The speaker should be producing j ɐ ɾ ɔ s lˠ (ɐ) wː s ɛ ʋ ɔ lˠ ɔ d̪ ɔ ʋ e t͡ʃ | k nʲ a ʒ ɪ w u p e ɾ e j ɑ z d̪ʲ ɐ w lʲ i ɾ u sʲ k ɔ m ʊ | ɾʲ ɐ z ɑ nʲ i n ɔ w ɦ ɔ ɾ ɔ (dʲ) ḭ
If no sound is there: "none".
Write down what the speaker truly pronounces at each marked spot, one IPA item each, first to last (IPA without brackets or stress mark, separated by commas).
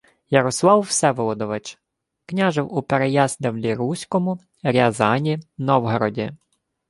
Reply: ɑ, dʲ